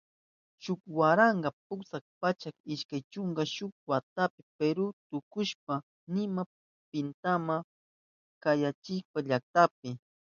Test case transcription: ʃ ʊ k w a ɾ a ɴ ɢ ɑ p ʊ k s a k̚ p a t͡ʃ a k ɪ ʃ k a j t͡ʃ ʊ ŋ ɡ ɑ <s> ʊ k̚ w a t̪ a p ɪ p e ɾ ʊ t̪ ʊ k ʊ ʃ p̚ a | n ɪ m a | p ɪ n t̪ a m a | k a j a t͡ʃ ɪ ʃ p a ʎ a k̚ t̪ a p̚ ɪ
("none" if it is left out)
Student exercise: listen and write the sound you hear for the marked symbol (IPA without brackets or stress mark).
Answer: ʃ